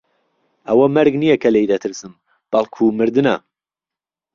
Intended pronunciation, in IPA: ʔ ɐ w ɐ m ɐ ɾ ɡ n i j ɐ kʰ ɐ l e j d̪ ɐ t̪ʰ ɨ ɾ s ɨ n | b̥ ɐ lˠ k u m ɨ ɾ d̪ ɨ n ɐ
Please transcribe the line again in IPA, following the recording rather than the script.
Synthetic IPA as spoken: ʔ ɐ w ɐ m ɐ ɾ ɡ n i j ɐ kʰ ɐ l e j d̪ ɐ t̪ʰ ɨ ɾ s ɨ m | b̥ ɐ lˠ kʰ u m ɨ ɾ d̪ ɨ n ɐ